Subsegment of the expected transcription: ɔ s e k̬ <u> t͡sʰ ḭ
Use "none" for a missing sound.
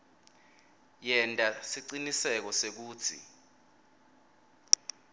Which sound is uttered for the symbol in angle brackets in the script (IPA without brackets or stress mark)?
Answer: uː